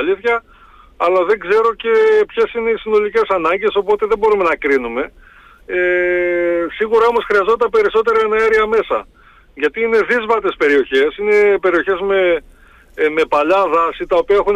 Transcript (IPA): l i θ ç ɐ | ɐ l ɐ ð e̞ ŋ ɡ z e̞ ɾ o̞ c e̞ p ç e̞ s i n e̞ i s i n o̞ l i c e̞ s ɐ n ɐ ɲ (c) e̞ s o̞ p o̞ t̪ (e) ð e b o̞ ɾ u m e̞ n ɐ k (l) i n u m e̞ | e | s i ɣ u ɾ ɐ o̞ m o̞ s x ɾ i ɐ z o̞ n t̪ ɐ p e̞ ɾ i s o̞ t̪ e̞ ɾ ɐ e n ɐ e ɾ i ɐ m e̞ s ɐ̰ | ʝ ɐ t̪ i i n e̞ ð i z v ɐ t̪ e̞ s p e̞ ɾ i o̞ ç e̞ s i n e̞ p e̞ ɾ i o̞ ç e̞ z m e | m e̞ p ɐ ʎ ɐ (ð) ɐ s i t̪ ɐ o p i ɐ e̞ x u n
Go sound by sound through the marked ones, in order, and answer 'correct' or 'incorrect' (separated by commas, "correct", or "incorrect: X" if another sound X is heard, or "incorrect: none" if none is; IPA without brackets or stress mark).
incorrect: ɟ, correct, incorrect: ɾ, correct